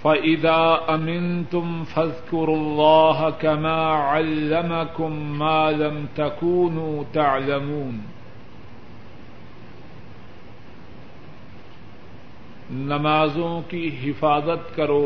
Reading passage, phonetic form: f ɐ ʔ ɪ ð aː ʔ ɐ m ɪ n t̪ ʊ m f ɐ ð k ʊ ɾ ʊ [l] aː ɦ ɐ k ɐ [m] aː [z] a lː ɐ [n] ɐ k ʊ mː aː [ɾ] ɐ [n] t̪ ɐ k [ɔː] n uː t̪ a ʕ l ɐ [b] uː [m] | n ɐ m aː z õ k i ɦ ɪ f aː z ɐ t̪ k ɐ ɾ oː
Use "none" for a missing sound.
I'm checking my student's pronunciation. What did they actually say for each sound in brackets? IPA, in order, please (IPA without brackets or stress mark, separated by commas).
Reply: lː, m, ʕ, m, l, m, uː, m, n